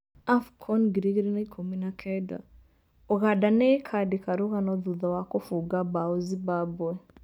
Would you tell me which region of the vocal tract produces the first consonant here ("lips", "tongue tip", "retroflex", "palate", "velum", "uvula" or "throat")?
lips